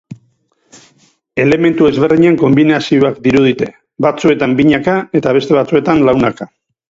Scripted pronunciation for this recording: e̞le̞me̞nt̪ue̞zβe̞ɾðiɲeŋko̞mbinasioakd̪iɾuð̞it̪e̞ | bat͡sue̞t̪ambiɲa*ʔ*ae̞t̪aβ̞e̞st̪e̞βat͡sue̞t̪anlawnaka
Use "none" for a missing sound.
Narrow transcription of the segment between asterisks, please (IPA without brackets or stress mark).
k